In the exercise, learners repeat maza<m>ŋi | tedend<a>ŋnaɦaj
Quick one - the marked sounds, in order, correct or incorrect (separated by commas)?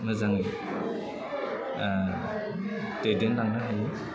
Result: incorrect, correct